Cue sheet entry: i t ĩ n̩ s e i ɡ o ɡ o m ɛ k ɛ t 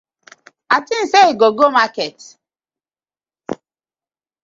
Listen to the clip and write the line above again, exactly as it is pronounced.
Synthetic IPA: a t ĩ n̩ s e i ɡ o ɡ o m a k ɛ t